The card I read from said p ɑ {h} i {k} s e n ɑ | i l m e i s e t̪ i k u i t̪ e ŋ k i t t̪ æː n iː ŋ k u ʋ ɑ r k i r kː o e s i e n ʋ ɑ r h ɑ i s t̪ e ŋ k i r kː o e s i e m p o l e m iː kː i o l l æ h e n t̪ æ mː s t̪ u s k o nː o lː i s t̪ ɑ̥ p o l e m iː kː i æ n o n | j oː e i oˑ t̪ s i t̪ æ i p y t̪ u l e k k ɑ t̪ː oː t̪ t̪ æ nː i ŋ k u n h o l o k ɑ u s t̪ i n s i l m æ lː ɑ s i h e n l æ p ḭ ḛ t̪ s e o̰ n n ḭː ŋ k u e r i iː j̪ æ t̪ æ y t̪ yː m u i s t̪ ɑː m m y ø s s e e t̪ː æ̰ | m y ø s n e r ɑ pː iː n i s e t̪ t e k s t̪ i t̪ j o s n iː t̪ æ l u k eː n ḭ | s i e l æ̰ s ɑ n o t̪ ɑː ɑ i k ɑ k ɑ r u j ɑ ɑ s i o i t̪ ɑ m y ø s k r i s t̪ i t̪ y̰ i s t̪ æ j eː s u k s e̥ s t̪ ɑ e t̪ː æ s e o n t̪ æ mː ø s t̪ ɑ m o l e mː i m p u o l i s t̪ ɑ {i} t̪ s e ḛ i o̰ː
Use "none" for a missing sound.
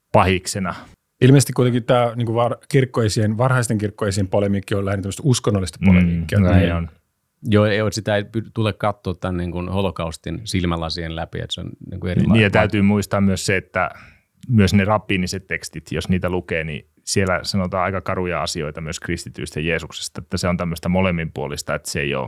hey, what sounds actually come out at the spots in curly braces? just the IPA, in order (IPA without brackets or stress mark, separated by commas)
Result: h, k, e